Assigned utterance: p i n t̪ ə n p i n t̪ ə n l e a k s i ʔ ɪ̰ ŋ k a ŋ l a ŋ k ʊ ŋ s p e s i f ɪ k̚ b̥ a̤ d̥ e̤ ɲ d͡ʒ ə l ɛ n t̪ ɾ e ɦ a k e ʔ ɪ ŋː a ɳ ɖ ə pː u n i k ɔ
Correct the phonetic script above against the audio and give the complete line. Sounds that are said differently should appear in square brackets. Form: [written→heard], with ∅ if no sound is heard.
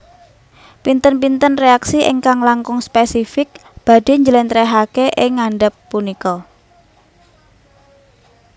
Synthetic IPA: p i n t̪ ə n p i n t̪ ə n [l→r] e a k s i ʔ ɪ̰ ŋ k a ŋ l a ŋ k ʊ ŋ s p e s i f ɪ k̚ b̥ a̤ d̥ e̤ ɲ d͡ʒ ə l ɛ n t̪ ɾ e ɦ a k e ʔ ɪ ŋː a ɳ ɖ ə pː u n i k ɔ